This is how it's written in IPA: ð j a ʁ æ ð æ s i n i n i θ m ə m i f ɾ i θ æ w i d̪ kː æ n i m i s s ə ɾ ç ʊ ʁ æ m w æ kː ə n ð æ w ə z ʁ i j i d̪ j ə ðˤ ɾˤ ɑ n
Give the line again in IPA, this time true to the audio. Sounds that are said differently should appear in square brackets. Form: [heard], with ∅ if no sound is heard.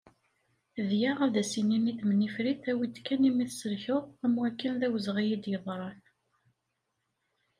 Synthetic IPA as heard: ð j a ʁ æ ð æ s i n i n i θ m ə [n] i f ɾ i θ æ w i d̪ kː æ n i m i [θ] s ə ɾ ç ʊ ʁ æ m w æ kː ə n ð æ w ə z ʁ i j i d̪ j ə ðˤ ɾˤ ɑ n